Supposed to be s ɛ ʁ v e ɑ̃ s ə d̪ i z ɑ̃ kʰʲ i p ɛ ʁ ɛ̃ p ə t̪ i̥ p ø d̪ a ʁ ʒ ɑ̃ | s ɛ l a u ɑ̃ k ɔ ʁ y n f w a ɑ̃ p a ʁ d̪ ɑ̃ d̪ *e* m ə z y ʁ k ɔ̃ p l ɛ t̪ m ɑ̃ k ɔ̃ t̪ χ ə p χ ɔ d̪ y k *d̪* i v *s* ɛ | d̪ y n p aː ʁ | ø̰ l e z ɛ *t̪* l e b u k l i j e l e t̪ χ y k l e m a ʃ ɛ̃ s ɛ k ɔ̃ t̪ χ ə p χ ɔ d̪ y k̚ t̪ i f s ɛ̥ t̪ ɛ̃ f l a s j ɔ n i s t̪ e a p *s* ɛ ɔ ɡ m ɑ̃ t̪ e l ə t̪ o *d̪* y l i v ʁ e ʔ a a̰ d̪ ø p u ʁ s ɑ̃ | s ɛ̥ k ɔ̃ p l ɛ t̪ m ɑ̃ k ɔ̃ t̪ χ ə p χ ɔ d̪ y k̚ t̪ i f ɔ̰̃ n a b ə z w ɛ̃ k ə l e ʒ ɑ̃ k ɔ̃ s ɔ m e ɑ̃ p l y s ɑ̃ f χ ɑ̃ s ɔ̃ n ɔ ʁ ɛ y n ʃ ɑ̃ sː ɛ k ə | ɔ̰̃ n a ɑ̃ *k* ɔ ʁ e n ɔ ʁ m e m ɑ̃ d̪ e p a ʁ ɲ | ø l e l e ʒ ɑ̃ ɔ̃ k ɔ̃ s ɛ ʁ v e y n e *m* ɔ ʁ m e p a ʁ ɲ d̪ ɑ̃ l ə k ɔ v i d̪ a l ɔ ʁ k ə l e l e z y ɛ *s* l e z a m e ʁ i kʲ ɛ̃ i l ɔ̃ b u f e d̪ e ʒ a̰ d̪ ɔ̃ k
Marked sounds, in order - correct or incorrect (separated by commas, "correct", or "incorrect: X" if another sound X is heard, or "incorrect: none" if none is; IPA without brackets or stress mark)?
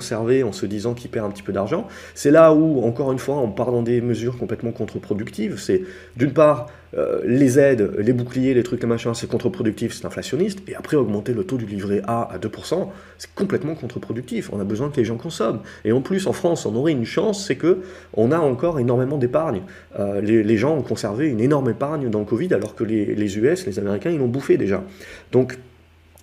correct, incorrect: t̪, correct, incorrect: d̪, incorrect: χ, correct, correct, incorrect: n, correct